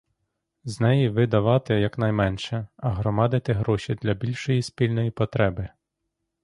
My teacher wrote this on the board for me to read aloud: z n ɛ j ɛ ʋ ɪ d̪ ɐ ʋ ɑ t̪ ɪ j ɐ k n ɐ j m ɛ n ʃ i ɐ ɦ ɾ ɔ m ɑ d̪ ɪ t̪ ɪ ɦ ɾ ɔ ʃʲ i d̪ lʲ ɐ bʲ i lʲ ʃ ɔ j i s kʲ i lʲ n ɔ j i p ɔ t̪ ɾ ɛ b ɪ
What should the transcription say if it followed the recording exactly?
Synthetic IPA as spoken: z n ɛ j i ʋ ɪ d̪ ɐ ʋ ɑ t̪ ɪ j ɐ k n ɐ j m ɛ n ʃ ɛ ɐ ɦ ɾ ɔ m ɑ d̪ ɪ t̪ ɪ ɦ ɾ ɔ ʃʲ i d̪ lʲ ɐ bʲ i lʲ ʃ ɔ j i s pʲ i lʲ n ɔ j i p ɔ t̪ ɾ ɛ b ɪ